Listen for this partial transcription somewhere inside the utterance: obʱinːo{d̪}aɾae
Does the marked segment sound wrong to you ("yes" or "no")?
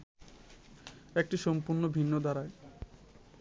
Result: no